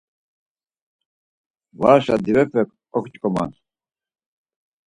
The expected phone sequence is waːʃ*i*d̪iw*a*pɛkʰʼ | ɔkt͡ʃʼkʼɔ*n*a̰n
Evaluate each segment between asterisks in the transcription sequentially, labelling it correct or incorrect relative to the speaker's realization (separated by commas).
incorrect, incorrect, incorrect